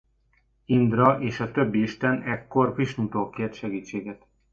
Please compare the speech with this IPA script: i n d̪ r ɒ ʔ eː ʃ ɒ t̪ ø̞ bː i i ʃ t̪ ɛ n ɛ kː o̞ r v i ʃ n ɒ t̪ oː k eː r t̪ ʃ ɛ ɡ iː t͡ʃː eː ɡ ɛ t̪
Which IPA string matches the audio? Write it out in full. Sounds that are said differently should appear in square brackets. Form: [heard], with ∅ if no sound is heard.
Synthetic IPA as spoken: i n d̪ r ɒ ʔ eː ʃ ɒ t̪ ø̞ bː i i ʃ t̪ ɛ n ɛ kː o̞ r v i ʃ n [u] t̪ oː k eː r t̪ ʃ ɛ ɡ iː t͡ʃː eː ɡ ɛ t̪